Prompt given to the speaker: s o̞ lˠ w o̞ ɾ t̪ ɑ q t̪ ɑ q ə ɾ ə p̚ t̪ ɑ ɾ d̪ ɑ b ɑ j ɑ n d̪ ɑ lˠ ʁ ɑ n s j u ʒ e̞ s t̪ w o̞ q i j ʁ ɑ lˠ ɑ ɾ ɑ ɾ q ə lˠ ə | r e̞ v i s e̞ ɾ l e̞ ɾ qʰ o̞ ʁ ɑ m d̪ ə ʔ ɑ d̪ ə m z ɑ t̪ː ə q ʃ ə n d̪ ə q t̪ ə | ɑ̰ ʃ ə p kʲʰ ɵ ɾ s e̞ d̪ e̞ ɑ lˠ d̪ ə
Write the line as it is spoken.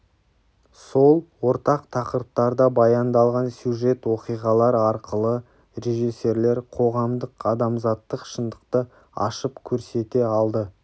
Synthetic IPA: s o̞ lˠ w o̞ ɾ t̪ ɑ q t̪ʰ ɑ q ə ɾ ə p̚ t̪ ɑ ɾ d̪ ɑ b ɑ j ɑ n d̪ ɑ lˠ ʁ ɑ n s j u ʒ e̞ t̪ w o̞ q i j ʁ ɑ lˠ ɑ ɾ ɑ ɾ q ə lˠ ə | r e̞ ʒ i s e̞ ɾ l e̞ ɾ qʰ o̞ ʁ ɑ m d̪ ə q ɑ d̪ ɑ m z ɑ t̪ː ə q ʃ ə n d̪ ə q t̪ ə | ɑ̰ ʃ ə p kʲʰ ɵ ɾ s e̞ t̪ e̞ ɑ lˠ d̪ ə